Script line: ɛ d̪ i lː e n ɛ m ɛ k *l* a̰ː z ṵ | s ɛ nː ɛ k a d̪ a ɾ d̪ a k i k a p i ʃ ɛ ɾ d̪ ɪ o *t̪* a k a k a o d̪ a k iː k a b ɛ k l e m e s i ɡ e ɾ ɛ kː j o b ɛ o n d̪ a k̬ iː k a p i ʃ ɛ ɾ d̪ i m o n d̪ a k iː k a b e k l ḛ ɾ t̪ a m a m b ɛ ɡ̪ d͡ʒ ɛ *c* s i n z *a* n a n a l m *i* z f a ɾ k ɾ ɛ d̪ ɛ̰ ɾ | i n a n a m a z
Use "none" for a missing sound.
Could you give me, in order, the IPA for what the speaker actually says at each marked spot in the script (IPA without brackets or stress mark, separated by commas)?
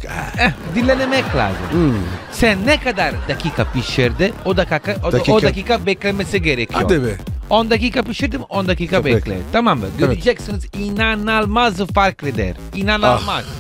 l, d̪, k, i, a